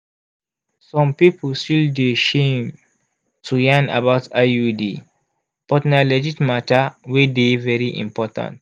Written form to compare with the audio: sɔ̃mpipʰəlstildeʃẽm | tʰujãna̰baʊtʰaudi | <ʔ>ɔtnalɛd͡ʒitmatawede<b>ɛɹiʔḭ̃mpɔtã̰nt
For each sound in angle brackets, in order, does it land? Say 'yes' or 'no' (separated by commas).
no, no